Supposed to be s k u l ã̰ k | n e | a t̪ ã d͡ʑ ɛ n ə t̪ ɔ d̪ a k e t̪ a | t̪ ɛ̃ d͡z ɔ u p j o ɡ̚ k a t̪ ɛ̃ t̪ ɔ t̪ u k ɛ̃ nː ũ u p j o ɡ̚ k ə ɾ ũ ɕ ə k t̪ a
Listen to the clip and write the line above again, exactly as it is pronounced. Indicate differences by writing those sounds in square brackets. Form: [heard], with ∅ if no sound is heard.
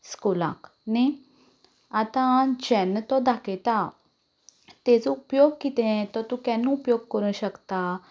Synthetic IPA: s k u l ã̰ k | n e | a t̪ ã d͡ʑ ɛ n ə t̪ ɔ d̪ a k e t̪ a | t̪ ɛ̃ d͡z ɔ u p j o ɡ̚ k [i] t̪ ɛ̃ t̪ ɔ t̪ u k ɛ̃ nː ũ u p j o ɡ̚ k ə ɾ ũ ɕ ə k t̪ a